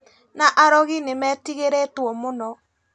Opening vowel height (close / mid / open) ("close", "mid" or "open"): open